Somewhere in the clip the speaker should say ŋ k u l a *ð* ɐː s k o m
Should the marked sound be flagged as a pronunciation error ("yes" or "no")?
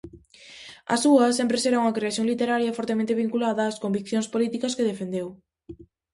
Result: no